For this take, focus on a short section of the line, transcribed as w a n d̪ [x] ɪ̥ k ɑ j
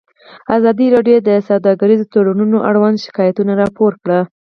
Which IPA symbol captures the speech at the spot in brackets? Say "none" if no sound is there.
ʃ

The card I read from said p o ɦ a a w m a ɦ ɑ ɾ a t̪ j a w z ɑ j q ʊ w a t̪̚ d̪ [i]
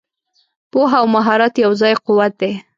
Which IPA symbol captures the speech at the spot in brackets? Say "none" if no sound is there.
e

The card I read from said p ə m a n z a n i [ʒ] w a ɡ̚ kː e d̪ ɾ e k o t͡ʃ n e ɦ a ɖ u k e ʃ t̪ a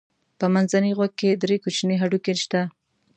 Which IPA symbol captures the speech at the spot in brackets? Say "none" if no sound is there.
ɣ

